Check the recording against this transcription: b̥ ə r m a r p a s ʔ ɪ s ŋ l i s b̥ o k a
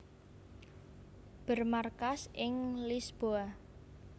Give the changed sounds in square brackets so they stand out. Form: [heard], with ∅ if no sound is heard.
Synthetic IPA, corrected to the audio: b̥ ə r m a r [k] a s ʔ ɪ [∅] ŋ l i s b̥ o [∅] a